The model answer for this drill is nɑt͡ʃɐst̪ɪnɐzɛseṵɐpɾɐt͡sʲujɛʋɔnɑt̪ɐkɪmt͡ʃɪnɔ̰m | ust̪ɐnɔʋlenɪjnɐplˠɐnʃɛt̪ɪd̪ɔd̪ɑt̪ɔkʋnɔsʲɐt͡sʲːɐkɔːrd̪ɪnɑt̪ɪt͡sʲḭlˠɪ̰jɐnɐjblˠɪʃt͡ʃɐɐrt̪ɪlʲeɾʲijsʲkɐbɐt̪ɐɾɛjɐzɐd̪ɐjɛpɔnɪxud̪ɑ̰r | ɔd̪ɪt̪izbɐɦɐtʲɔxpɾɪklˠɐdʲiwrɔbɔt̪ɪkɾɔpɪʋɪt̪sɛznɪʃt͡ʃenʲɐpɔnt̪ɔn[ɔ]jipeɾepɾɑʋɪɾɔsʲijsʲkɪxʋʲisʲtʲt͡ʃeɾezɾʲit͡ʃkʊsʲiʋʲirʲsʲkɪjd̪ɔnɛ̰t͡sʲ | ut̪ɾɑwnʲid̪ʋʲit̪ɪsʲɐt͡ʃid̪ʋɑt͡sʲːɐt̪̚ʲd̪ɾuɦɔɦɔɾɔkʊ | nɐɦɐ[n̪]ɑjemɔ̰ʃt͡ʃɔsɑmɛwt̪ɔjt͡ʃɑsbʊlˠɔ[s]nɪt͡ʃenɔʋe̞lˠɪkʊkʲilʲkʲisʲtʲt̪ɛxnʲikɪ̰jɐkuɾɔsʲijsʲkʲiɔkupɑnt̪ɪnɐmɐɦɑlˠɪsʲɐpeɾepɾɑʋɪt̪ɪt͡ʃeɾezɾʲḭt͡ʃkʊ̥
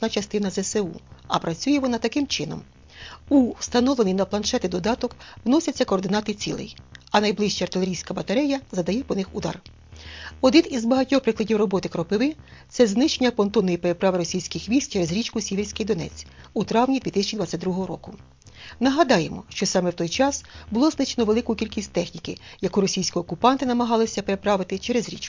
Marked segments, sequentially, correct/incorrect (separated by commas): correct, incorrect, incorrect